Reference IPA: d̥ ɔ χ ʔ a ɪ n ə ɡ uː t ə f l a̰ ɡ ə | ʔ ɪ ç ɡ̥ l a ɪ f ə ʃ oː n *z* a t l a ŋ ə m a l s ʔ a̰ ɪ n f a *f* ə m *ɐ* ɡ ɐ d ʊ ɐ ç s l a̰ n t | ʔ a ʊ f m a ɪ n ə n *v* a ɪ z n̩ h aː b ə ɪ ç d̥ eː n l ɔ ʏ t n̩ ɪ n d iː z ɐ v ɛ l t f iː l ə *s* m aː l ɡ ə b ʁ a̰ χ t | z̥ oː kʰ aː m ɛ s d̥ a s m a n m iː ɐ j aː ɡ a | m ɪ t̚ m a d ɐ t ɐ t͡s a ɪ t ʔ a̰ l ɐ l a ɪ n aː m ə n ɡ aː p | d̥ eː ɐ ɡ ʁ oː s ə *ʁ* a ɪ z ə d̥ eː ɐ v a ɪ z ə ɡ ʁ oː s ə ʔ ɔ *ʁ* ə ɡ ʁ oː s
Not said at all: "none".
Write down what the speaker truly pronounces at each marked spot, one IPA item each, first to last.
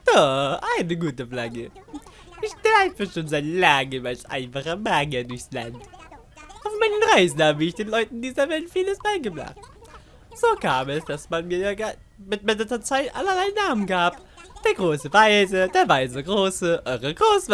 z, χ, a, ʁ, s, v, ʁ

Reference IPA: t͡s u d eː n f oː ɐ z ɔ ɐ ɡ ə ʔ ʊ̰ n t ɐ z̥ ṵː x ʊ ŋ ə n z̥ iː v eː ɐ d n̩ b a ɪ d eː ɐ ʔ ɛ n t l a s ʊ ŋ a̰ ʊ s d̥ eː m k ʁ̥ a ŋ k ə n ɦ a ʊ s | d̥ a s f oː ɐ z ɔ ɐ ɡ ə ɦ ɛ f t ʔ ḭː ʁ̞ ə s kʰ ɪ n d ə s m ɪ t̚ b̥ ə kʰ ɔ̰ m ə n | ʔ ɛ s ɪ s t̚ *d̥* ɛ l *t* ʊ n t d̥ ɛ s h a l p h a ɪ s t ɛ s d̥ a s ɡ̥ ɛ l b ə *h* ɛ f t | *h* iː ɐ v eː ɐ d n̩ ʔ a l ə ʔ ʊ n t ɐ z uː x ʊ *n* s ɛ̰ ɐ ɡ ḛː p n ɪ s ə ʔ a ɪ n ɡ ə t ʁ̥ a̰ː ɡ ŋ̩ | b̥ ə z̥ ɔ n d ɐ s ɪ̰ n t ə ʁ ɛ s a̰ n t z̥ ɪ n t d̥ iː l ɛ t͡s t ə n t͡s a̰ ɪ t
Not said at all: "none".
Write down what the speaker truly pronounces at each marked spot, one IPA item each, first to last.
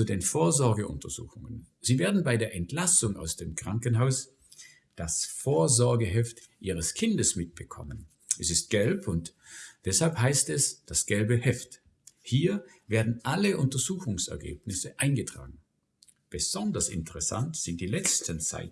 ɡ̥, p, h, h, ŋ

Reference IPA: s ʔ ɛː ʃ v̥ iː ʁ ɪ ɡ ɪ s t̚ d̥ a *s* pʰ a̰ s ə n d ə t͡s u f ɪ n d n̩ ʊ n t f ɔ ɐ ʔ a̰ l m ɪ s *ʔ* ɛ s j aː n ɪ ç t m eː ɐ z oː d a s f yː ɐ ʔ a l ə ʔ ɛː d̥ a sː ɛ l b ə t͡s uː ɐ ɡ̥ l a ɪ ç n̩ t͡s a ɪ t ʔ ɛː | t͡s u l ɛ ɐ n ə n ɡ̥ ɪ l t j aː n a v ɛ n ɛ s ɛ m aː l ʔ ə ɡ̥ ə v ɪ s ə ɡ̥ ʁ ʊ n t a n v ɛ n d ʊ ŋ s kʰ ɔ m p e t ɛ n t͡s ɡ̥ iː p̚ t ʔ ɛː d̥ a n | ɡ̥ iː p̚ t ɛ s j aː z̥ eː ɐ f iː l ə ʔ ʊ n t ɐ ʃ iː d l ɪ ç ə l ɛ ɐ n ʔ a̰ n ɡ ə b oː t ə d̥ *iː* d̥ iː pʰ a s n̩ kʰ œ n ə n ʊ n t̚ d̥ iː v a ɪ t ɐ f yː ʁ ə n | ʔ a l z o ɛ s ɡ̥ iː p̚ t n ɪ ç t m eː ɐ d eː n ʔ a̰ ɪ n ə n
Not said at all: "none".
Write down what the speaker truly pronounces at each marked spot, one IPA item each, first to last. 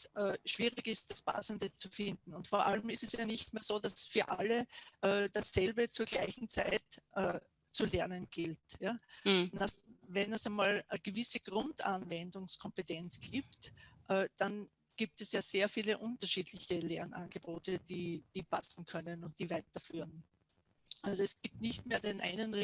s, t, iː

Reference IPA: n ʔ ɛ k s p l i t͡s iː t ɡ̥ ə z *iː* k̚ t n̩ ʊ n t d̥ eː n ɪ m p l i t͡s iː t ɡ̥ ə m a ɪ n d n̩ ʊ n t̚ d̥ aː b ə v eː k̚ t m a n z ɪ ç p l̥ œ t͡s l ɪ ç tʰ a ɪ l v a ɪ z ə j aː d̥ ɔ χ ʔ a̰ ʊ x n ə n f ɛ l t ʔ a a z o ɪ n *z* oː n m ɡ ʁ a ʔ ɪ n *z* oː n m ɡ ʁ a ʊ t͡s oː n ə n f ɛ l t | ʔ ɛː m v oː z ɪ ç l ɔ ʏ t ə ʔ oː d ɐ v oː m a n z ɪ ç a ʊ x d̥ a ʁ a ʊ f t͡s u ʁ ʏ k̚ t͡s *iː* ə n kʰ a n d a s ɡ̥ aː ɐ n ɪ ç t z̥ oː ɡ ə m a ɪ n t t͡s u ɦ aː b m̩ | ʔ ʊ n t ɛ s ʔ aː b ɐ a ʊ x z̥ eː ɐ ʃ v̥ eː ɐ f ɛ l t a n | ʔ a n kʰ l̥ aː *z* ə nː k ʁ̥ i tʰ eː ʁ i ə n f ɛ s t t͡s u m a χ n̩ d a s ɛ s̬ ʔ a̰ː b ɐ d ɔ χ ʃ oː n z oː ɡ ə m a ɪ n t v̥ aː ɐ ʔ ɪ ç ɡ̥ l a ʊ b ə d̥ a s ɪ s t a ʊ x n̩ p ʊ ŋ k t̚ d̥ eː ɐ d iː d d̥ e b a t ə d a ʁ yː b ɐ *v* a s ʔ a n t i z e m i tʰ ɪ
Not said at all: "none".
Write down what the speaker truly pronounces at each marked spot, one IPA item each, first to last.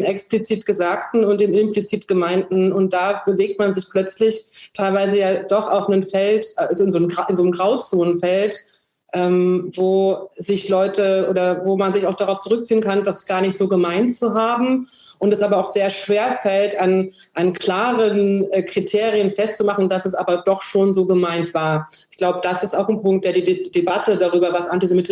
aː, z, z, iː, ʁ, v

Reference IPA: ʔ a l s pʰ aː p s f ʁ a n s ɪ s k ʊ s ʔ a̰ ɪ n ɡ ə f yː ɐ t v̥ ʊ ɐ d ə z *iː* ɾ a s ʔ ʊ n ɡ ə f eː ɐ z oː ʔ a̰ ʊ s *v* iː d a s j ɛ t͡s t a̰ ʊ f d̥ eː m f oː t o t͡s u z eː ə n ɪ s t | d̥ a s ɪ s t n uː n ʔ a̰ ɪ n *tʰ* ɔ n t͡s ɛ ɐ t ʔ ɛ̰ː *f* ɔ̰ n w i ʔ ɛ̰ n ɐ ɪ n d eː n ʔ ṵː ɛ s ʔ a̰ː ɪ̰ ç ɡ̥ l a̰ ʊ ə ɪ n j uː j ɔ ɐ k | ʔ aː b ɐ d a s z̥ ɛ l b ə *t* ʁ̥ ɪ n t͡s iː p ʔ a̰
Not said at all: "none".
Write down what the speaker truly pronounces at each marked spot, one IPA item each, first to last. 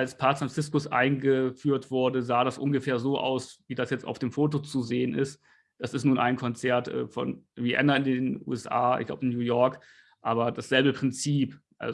aː, v, kʰ, f, p

